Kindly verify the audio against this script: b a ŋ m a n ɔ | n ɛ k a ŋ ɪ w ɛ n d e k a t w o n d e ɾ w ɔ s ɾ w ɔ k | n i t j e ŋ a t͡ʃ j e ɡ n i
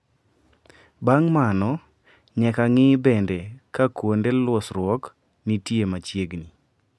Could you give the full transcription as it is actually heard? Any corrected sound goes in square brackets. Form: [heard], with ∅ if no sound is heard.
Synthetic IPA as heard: b a ŋ m a n ɔ | [ɲ] ɛ k a ŋ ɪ [b] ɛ n d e k a [k] w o n d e [l] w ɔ s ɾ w ɔ k | n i t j e [m] a t͡ʃ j e ɡ n i

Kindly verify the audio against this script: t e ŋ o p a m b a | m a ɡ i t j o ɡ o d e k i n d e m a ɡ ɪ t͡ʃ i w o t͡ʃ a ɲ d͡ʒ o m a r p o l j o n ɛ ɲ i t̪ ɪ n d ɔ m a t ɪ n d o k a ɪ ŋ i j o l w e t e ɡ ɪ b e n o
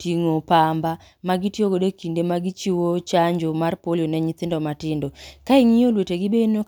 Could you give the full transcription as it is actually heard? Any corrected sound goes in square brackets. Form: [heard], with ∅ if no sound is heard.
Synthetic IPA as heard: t [i] ŋ o p a m b a | m a ɡ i t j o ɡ o d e k i n d e m a ɡ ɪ t͡ʃ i w o t͡ʃ a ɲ d͡ʒ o m a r p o l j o n ɛ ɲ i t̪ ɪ n d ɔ m a t ɪ n d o k a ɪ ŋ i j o l w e t e ɡ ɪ b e n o

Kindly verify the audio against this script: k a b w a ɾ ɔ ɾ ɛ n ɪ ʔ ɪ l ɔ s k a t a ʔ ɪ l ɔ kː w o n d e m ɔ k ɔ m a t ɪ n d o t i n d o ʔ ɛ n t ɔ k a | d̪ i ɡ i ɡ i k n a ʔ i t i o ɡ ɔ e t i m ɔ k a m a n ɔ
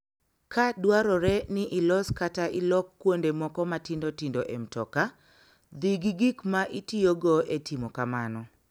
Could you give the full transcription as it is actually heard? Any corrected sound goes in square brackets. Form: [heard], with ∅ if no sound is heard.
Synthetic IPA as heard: k a [d] w a ɾ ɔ ɾ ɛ n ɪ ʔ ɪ l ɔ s k a t a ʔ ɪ l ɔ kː w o n d e m ɔ k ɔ m a t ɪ n d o t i n d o ʔ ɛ [m] t ɔ k a | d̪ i ɡ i ɡ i k [m] a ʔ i t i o ɡ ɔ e t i m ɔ k a m a n ɔ

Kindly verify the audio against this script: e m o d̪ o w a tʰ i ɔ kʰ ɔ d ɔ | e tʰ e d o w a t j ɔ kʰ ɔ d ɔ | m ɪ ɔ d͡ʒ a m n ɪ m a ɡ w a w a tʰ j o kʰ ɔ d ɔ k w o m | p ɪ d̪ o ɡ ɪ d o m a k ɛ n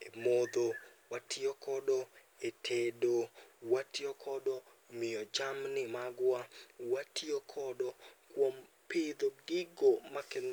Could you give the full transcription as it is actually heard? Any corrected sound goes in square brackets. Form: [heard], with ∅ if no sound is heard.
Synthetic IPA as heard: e m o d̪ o w a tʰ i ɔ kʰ ɔ d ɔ | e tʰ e d o w a t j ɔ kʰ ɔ d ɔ | m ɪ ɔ d͡ʒ a m n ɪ m a ɡ w a w a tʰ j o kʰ ɔ d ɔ k w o m | p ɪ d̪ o ɡ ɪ [ɡ] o m a k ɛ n

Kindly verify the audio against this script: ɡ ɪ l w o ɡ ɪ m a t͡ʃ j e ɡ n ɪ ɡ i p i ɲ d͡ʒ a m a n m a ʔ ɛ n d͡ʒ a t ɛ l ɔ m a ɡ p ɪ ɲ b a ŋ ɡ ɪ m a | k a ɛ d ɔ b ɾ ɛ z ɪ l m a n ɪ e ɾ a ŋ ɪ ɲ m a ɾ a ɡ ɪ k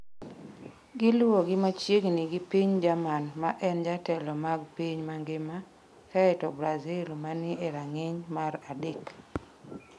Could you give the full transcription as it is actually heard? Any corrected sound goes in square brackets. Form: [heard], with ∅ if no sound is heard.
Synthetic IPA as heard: ɡ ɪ l w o ɡ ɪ m a t͡ʃ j e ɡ n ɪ ɡ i p i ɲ d͡ʒ a m a n m a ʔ ɛ n d͡ʒ a t ɛ l ɔ m a ɡ p [i] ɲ [m] a ŋ ɡ ɪ m a | k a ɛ [t] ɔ b ɾ [a] z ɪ l m a n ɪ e ɾ a ŋ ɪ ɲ m a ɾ a [d] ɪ k

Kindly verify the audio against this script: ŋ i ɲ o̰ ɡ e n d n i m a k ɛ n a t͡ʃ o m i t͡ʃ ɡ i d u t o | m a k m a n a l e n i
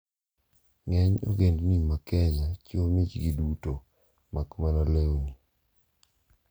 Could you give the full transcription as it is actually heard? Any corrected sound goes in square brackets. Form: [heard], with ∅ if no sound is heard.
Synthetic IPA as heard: ŋ [ɛ] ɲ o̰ ɡ e n d n i m a k ɛ [ɲ] a t͡ʃ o m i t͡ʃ ɡ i d u t o | m a k m a n a l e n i

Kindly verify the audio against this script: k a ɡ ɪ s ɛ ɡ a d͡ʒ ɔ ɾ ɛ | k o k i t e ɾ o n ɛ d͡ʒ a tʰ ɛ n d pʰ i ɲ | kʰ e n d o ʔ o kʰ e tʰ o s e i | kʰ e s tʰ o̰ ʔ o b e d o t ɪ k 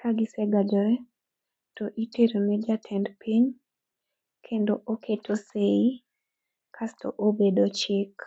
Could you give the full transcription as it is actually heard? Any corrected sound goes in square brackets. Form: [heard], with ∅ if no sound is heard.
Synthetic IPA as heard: k a ɡ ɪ s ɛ ɡ a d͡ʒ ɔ ɾ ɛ | [t] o [ʔ] i t e ɾ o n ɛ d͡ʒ a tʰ ɛ n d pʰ i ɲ | kʰ e n d o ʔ o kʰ e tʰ o s e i | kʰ [a] s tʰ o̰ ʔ o b e d o [t͡ʃ] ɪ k

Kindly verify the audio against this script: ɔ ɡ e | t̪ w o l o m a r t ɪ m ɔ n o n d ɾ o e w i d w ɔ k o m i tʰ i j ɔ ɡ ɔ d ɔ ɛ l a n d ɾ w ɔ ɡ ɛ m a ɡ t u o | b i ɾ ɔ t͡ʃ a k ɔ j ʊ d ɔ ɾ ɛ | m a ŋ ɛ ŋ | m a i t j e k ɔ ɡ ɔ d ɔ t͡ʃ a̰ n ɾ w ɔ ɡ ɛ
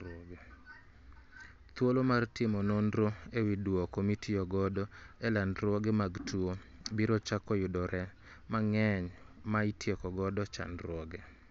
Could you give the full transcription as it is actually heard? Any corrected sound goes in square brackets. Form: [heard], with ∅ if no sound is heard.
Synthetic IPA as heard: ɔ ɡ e | t̪ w o l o m a r t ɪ m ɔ n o n d ɾ o e w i d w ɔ k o m i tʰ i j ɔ ɡ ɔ d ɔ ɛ l a n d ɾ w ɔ ɡ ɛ m a ɡ t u o | b i ɾ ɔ t͡ʃ a k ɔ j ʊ d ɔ ɾ ɛ | m a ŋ ɛ [ɲ] | m a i t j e k ɔ ɡ ɔ d ɔ t͡ʃ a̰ n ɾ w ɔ ɡ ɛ

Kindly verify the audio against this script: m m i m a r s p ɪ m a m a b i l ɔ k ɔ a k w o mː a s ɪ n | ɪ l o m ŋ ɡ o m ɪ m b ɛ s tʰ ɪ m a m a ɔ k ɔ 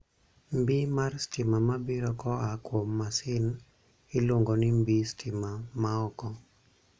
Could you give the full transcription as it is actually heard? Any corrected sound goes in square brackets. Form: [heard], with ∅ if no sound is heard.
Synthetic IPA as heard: m [b] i m a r s [t] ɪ m a m a b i [ɾ] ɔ k ɔ a k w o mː a s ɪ n | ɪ l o [∅] ŋ ɡ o [n] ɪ m b [i] s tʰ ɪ m a m a ɔ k ɔ

